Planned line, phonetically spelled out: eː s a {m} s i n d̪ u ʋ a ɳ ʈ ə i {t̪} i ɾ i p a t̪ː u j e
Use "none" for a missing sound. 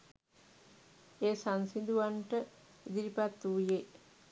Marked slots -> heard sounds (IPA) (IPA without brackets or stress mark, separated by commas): n, d̪